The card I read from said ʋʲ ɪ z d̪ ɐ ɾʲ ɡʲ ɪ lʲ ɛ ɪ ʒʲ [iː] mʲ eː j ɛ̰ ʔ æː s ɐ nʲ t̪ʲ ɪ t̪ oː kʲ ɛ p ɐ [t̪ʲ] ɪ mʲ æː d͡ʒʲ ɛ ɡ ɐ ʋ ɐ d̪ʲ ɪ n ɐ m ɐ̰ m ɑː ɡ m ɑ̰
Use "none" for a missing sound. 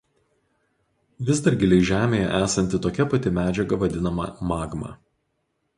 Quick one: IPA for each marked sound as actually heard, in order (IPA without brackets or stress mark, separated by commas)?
æː, t̪ʲ